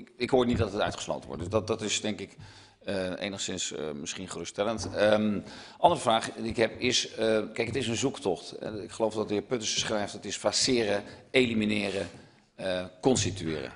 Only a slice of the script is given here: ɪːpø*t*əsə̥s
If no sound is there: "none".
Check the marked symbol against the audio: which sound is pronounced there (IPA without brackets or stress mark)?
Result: t